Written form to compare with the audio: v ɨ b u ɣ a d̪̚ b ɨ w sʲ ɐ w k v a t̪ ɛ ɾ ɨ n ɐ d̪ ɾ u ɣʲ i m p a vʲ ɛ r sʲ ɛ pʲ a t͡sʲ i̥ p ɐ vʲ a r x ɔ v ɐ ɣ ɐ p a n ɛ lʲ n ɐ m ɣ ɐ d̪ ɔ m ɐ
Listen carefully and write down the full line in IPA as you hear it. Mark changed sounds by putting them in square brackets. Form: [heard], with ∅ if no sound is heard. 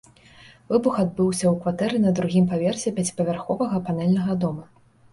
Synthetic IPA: v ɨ b u [x] a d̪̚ b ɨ w sʲ ɐ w k v a t̪ ɛ ɾ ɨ n ɐ d̪ ɾ u ɣʲ i m p a vʲ ɛ r sʲ ɛ pʲ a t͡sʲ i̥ p ɐ vʲ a r x ɔ v ɐ ɣ ɐ p a n ɛ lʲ n ɐ [∅] ɣ ɐ d̪ ɔ m ɐ